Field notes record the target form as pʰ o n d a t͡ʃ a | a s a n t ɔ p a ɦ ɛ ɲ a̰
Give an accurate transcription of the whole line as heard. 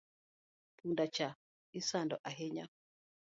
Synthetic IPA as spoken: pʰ u n d a t͡ʃ a | i s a n d ɔ ʔ a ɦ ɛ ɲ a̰

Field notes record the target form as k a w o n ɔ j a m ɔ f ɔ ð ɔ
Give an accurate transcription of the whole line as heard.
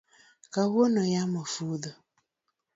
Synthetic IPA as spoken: k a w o n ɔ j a m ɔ f u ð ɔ

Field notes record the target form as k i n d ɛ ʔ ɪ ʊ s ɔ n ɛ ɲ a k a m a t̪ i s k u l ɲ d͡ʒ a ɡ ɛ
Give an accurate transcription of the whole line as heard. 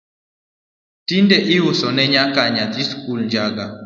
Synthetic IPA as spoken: t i n d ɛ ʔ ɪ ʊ s ɔ n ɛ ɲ a k a ɲ a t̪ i s k u l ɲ d͡ʒ a ɡ a

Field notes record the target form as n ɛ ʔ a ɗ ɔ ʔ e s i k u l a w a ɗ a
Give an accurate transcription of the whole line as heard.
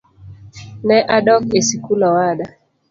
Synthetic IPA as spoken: n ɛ ʔ a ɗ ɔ k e s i k u l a w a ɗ a

